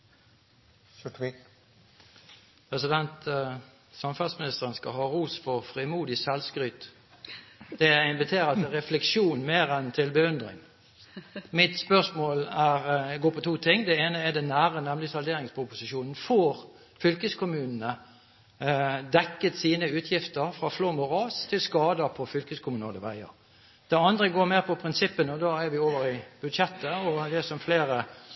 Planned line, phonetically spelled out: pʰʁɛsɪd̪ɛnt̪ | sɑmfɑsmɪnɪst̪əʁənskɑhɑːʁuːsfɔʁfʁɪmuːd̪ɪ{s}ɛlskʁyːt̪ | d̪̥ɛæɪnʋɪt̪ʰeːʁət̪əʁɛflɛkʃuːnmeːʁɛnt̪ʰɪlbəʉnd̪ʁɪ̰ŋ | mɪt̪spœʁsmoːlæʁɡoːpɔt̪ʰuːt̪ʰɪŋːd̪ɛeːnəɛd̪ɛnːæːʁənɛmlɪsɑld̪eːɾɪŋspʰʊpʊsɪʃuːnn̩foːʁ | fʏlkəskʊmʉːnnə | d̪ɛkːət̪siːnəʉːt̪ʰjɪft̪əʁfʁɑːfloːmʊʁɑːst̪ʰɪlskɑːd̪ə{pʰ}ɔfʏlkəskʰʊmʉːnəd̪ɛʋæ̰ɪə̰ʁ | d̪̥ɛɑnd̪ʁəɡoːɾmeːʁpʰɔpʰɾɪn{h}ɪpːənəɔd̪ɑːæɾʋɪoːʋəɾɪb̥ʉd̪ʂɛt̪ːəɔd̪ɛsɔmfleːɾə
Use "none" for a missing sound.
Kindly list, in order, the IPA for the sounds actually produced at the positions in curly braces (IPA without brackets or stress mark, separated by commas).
s, pʰ, s